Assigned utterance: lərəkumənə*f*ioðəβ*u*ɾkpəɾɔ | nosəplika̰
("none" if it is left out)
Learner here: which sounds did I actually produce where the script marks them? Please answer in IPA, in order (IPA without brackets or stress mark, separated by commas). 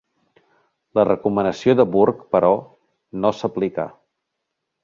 s, u